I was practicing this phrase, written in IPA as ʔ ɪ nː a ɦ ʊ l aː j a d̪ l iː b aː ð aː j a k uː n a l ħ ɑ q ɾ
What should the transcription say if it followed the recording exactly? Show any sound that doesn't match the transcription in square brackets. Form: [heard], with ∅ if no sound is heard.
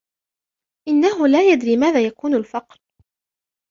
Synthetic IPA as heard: ʔ ɪ nː a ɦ ʊ l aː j a d̪ [ɾ] iː [m] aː ð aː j a k uː n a l [f] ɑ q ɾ